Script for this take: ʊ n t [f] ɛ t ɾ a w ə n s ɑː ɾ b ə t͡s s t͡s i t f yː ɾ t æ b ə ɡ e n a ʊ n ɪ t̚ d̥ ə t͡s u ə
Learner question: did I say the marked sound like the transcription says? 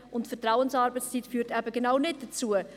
yes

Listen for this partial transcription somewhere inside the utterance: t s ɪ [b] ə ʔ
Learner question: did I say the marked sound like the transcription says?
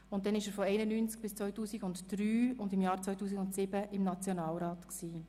yes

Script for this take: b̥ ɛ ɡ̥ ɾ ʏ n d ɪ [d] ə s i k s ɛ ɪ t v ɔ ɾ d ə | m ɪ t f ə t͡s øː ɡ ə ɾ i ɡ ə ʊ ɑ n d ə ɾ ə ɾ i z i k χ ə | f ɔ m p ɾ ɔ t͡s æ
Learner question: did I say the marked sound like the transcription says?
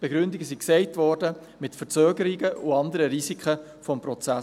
no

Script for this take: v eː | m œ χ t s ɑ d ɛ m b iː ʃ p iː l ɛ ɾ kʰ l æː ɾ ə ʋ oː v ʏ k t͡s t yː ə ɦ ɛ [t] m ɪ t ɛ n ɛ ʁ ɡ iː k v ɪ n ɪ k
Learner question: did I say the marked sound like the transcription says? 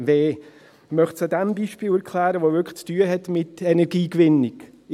yes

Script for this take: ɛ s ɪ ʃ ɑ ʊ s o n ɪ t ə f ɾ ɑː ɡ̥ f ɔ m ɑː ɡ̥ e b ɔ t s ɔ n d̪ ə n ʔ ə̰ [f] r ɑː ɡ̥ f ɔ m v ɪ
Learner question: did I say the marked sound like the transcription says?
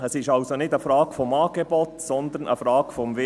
yes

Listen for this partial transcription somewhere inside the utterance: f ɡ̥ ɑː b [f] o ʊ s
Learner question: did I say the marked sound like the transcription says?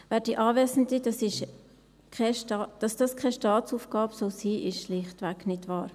no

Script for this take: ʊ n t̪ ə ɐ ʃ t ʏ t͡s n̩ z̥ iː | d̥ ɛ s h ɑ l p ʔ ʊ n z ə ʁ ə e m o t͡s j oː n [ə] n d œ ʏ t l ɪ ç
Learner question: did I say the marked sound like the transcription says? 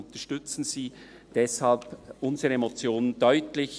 yes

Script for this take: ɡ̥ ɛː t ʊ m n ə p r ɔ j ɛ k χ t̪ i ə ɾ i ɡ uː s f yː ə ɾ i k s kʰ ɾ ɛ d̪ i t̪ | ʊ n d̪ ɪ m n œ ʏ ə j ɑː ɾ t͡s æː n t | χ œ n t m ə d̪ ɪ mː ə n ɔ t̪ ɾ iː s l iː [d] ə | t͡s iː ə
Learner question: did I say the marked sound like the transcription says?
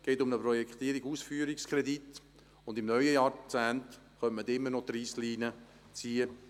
no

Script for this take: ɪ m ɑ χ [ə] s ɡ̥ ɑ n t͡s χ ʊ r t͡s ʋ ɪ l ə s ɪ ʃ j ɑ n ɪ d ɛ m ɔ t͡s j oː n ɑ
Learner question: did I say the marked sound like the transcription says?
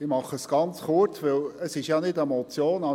yes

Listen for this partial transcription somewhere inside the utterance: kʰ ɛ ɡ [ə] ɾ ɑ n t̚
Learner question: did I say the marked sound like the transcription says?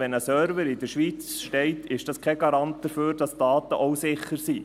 no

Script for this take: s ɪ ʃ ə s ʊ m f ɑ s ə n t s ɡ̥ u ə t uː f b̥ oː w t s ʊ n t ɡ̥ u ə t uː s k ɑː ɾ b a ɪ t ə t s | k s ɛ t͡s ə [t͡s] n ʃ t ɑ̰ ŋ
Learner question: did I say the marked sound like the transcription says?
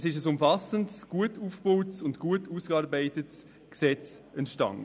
no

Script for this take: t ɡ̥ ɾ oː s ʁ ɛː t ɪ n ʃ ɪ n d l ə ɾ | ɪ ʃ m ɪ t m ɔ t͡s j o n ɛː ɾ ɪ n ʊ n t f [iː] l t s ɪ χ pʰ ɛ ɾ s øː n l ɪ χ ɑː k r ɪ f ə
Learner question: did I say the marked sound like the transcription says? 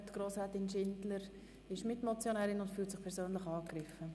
no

